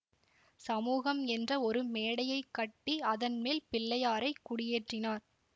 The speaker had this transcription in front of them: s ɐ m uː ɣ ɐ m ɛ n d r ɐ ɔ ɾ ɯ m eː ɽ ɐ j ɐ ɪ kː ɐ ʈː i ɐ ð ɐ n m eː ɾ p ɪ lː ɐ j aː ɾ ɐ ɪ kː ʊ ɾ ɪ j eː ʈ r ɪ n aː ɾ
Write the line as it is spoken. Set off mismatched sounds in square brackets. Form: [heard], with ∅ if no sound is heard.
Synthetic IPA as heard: s ɐ m uː ɣ ɐ m ɛ n d r ɐ ɔ ɾ ɯ m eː ɽ ɐ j ɐ ɪ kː ɐ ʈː i ɐ ð ɐ n m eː [l] p ɪ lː ɐ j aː ɾ ɐ ɪ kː ʊ [ɽ] ɪ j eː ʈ r ɪ n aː ɾ

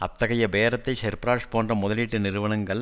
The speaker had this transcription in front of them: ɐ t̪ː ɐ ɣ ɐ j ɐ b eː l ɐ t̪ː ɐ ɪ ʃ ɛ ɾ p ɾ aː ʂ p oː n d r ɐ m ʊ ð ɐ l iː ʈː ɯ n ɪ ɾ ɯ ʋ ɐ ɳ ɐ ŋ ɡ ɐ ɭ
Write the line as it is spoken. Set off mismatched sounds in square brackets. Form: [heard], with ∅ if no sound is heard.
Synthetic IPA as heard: ɐ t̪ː ɐ ɣ ɐ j ɐ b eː [ɾ] ɐ t̪ː ɐ ɪ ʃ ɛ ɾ p ɾ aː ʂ p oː n d r ɐ m ʊ ð ɐ l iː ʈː ɯ n ɪ ɾ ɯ ʋ ɐ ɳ ɐ ŋ ɡ ɐ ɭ

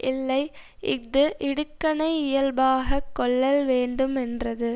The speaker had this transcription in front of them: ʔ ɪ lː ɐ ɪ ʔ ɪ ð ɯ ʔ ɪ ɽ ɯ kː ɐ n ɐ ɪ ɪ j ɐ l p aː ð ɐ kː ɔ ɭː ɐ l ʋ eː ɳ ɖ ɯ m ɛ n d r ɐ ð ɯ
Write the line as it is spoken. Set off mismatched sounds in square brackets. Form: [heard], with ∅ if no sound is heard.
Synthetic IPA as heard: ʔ ɪ lː ɐ ɪ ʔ ɪ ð ɯ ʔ ɪ ɽ ɯ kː ɐ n ɐ ɪ ɪ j ɐ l [b] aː [ɣ] ɐ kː ɔ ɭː ɐ l ʋ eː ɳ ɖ ɯ m ɛ n d r ɐ ð ɯ

